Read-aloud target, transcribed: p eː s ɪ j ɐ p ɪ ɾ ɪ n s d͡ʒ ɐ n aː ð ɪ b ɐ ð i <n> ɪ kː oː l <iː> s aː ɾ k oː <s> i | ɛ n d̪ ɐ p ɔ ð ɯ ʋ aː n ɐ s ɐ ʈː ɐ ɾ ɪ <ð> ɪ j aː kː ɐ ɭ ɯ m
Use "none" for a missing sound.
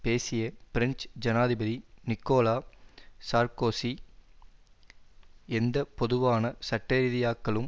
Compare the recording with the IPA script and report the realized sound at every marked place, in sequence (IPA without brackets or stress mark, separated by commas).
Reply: n, aː, s, ð